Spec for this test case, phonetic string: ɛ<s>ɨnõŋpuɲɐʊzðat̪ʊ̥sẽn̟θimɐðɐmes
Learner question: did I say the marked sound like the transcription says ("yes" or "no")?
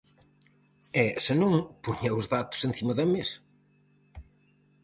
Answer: yes